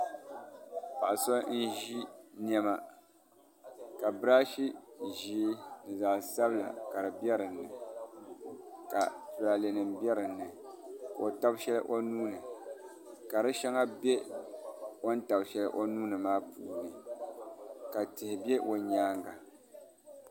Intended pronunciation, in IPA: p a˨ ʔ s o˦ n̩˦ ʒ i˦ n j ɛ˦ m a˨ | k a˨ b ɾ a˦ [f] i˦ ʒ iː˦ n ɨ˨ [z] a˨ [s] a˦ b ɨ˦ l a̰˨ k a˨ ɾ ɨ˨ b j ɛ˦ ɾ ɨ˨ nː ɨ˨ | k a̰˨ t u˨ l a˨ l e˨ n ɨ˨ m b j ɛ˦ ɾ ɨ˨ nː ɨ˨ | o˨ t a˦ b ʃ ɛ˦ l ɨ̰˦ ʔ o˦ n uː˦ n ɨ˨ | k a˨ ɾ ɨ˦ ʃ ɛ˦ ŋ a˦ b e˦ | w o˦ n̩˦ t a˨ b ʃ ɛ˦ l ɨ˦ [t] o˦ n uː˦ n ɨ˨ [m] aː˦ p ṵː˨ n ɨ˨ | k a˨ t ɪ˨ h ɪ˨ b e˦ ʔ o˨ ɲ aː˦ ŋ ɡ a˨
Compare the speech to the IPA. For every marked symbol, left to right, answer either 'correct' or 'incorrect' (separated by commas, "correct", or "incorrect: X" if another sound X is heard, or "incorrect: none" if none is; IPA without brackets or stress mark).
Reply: incorrect: ʃ, correct, correct, incorrect: ʔ, correct